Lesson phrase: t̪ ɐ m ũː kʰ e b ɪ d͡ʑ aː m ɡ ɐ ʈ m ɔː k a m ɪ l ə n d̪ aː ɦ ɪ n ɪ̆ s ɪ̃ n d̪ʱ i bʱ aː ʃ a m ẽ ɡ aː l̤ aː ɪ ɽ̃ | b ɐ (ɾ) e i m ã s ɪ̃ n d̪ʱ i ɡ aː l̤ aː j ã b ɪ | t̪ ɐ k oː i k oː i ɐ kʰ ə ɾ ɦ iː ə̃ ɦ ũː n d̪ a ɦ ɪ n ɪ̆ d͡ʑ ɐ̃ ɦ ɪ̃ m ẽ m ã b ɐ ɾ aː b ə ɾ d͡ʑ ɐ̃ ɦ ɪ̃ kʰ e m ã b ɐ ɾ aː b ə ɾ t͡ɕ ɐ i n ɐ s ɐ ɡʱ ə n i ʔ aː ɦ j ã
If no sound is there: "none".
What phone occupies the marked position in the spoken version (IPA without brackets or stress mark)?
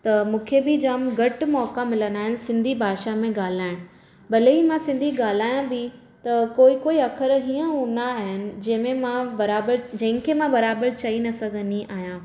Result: l